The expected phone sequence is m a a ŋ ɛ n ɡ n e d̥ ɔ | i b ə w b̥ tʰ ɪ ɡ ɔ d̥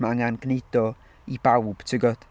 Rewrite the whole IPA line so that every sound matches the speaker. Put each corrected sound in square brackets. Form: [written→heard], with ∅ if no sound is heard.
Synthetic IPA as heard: m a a ŋ [ɛ→a] n ɡ n e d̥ ɔ | i b [ə→a] w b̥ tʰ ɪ ɡ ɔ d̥